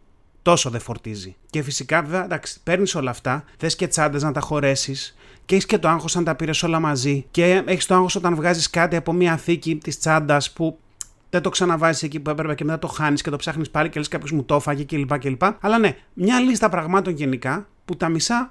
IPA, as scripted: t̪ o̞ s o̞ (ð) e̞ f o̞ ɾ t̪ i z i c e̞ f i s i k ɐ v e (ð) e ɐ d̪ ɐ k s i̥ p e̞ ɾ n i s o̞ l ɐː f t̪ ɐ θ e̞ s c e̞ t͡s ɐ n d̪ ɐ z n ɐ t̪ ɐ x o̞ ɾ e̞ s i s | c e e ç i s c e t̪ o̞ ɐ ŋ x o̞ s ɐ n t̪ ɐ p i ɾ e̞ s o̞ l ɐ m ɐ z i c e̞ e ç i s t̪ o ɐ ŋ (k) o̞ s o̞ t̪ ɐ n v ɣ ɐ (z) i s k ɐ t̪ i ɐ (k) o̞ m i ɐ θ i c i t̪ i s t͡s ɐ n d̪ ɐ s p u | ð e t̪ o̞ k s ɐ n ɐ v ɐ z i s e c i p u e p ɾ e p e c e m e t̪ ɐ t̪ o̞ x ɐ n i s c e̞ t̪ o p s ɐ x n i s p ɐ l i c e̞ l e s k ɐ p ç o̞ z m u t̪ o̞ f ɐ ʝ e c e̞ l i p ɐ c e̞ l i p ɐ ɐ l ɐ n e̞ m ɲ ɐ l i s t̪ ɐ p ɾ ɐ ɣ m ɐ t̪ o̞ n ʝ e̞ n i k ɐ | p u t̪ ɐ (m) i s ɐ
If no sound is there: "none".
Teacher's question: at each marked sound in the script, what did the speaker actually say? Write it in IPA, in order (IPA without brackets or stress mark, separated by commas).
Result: ð, v, x, z, p, m